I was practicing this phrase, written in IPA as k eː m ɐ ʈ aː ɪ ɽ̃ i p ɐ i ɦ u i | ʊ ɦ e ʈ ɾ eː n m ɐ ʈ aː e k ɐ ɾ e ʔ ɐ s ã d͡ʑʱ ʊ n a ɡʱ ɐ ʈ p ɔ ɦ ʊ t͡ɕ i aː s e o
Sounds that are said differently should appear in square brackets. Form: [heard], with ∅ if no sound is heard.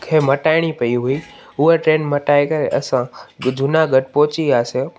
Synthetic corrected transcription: [kʰ] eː m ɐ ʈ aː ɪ ɽ̃ i p ɐ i ɦ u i | ʊ ɦ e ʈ ɾ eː n m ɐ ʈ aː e k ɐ ɾ e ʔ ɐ s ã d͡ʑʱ ʊ n a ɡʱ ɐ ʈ p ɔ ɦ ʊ t͡ɕ i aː s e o